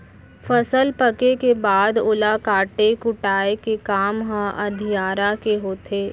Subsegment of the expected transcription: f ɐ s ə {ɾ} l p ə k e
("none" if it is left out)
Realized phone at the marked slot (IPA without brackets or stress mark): none